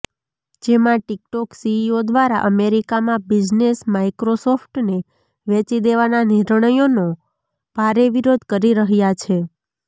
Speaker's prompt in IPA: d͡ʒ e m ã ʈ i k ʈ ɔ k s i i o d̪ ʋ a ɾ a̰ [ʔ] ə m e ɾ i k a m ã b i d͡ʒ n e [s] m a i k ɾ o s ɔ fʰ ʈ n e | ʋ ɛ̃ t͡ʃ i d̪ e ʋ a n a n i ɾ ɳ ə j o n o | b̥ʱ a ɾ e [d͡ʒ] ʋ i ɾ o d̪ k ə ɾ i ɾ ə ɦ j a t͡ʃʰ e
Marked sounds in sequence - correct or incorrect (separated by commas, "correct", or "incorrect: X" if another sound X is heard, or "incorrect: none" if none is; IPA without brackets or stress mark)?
correct, correct, incorrect: none